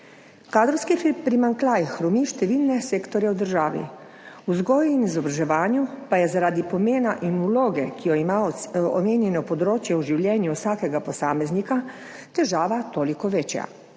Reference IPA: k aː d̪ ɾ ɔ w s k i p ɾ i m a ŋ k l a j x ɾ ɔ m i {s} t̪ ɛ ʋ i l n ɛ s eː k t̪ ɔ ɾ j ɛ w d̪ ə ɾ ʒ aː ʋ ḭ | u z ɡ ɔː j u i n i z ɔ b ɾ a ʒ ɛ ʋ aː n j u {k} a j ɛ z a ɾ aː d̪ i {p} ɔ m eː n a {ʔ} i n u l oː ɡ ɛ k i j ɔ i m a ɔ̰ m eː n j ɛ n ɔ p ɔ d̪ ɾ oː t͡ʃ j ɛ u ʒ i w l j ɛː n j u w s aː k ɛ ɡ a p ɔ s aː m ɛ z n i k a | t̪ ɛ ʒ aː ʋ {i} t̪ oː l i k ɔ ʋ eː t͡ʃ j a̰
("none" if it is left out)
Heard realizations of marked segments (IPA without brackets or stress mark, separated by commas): ʃ, p, p, ʔ, a